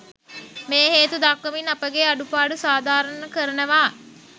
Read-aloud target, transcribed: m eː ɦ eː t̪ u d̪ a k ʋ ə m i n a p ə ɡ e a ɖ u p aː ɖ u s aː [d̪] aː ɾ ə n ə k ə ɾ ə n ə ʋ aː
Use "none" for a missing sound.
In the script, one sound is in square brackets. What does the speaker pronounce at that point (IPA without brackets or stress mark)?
d̪